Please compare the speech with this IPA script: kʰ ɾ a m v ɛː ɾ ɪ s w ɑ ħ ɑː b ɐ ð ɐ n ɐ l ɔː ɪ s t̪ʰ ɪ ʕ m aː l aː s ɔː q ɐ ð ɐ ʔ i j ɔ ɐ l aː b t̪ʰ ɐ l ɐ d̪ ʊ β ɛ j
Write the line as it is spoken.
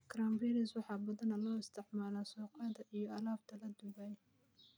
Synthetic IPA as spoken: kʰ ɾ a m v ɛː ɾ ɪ s w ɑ ħ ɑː b ɐ ð ɐ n ɐ l ɔː ɪ s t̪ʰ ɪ ʕ m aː l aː s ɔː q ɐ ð ɐ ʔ i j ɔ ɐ l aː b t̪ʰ ɐ l ɐ d̪ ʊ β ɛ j